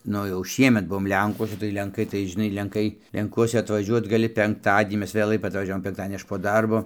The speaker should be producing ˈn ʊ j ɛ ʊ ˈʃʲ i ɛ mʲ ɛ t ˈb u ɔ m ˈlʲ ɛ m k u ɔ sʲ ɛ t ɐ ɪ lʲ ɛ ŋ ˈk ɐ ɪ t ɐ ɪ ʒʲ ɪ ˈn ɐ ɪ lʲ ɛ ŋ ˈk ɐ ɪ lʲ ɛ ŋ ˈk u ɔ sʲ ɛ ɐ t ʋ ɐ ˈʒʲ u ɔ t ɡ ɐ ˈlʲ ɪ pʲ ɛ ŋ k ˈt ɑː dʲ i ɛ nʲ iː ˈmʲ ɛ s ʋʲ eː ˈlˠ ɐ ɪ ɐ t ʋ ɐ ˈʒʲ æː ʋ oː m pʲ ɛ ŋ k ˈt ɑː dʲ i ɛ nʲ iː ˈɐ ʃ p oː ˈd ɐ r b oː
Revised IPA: ˈn ʊ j ɛ ʊ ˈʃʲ i ɛ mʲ ɛ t ˈb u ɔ m ˈlʲ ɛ ŋ k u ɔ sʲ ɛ t ɐ ɪ lʲ ɛ ŋ ˈk ɐ ɪ t ɐ ɪ ʒʲ ɪ ˈn ɐ ɪ lʲ ɛ ŋ ˈk ɐ ɪ lʲ ɛ ŋ ˈk u ɔ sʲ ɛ ɐ t ʋ ɐ ˈʒʲ u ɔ t ɡ ɐ ˈlʲ ɪ pʲ ɛ ŋ k ˈt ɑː dʲ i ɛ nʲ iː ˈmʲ ɛ s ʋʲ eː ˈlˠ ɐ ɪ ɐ t ʋ ɐ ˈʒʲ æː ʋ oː m pʲ ɛ ŋ k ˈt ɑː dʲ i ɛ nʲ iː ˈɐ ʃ p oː ˈd ɐ r b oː